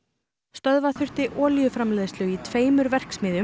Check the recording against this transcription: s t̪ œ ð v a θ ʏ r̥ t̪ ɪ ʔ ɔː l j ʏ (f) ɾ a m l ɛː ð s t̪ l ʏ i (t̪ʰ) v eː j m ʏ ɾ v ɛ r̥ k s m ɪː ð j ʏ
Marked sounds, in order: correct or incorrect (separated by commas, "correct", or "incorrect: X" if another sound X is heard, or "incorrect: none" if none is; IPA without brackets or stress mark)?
correct, correct